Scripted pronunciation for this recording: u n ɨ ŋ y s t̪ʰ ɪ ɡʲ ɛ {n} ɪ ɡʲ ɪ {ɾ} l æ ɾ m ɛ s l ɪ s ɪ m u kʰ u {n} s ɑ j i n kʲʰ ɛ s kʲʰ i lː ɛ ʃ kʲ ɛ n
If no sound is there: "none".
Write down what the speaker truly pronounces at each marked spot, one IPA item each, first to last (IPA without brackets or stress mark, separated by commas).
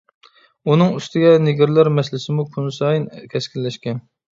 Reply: n, ɾ, n